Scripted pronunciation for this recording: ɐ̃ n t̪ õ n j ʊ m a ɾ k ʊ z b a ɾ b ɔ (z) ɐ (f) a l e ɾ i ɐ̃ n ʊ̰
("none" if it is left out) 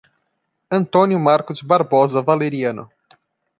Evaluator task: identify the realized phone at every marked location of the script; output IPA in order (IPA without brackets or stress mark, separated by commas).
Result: z, v